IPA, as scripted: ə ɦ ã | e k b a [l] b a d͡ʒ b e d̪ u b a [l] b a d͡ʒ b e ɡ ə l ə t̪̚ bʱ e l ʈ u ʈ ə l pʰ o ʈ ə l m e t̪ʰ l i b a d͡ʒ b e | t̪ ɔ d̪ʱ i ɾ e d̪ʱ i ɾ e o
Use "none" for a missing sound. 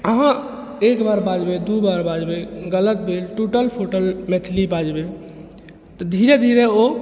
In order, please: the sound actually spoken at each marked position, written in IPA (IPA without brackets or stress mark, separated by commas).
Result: ɾ, ɾ